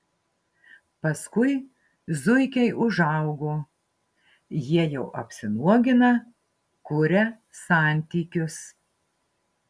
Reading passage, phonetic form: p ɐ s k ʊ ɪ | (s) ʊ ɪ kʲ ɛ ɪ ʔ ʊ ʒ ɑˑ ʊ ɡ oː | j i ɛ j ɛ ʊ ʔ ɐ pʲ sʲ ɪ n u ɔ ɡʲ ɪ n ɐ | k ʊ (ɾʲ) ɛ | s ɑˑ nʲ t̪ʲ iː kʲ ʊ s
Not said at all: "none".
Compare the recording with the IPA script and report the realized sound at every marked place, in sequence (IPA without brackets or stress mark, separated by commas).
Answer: z, ɾʲ